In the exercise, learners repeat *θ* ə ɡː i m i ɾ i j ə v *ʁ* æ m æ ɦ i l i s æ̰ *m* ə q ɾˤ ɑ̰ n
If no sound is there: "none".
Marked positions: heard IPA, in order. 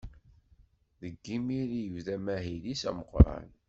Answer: ð, ð, m

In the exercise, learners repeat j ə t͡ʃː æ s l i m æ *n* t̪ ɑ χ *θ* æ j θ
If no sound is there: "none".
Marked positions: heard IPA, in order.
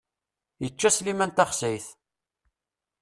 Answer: n, s

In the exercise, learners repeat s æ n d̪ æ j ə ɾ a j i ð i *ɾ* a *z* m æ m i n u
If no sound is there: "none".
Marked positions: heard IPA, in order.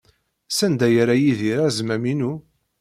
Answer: ɾ, z

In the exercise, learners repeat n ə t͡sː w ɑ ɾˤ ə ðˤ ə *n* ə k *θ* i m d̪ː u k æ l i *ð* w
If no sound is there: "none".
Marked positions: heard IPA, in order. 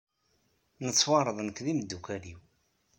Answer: n, ð, none

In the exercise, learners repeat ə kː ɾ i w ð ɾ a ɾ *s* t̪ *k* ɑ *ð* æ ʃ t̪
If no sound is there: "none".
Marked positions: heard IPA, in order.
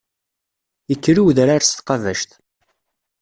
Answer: s, q, v

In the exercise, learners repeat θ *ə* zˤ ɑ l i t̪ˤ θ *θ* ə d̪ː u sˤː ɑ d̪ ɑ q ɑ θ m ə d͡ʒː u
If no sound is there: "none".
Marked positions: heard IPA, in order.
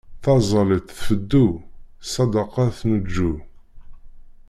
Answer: ɑ, f

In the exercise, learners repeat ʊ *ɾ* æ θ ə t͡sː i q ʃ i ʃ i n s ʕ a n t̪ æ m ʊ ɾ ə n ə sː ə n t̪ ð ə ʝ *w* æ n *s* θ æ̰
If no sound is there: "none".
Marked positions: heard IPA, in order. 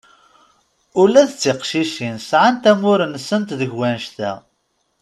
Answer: l, w, ʃ

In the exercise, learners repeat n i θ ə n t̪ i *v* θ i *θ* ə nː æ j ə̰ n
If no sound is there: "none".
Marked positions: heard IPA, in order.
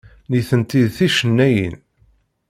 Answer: ð, ʃ

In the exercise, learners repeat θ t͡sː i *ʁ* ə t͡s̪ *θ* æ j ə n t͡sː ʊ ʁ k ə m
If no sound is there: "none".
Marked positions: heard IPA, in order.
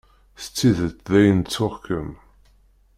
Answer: ð, ð

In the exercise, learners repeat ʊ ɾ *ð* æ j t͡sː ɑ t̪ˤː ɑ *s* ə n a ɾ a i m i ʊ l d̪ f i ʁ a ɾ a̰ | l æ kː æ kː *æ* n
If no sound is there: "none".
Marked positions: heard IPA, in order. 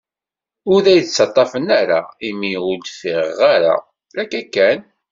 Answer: ð, f, æ

